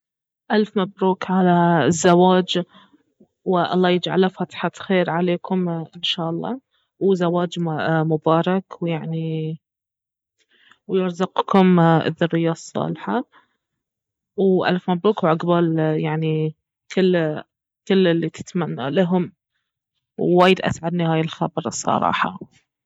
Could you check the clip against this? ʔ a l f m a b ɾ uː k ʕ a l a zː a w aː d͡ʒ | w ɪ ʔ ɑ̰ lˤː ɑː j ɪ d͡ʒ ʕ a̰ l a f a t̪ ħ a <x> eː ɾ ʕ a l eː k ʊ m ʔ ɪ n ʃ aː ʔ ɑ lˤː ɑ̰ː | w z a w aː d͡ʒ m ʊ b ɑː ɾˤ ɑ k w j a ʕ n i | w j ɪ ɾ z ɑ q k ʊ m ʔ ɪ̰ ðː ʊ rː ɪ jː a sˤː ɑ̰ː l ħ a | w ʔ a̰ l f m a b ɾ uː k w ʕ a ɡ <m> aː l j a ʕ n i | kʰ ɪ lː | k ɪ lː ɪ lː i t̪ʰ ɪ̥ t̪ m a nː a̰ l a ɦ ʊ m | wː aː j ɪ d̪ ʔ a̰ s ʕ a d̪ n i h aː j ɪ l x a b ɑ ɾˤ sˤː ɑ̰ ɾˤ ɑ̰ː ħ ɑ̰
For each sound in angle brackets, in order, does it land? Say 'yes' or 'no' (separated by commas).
yes, no